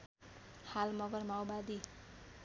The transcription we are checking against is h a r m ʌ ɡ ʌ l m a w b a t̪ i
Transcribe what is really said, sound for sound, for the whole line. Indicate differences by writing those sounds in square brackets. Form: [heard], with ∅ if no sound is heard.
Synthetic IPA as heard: h a [l] m ʌ ɡ ʌ [r] m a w b a [d̪] i

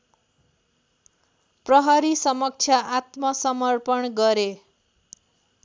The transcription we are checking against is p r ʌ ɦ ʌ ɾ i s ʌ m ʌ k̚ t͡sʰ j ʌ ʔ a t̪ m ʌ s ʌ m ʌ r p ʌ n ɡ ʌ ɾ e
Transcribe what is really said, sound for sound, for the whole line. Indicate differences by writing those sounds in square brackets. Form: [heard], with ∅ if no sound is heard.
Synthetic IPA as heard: p r ʌ ɦ ʌ ɾ i s ʌ m ʌ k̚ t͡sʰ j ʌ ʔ a t̪ m ʌ s ʌ m ʌ r p ʌ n ɡ ʌ ɾ e

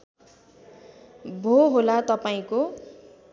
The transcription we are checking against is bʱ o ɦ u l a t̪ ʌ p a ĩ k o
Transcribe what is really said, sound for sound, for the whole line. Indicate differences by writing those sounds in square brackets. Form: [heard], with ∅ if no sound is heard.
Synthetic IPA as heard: bʱ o ɦ [o] l a t̪ ʌ p a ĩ k o

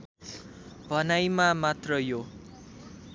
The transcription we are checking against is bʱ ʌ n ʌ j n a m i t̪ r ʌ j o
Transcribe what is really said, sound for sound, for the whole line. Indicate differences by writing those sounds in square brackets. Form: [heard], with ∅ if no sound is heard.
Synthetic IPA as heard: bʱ ʌ n [a] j [m] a m [a] t̪ r ʌ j o

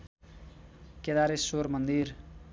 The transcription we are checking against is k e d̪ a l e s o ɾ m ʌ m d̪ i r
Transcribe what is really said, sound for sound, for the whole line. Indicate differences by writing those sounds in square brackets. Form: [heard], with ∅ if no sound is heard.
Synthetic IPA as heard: k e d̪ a [ɾ] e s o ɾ m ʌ [n] d̪ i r

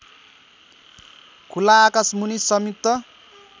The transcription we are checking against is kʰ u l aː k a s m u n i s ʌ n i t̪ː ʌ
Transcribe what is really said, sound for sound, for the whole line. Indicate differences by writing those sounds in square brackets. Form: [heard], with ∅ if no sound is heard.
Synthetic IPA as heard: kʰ u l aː k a s m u n i s ʌ [m] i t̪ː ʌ

